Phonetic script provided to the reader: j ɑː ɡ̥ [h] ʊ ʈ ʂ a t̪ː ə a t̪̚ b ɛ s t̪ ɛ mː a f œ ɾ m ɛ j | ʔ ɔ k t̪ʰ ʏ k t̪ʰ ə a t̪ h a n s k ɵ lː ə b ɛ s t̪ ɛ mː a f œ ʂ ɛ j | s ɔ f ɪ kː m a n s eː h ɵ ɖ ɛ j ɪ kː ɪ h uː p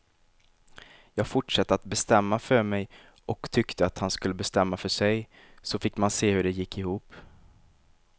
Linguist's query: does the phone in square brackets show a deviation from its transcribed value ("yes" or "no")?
yes